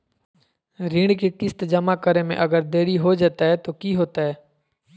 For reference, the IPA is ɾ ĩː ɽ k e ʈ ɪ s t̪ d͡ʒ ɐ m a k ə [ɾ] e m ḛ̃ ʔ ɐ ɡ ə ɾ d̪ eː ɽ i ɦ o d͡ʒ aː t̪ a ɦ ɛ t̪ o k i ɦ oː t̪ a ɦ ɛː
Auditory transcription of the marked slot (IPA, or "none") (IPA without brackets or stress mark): ɾ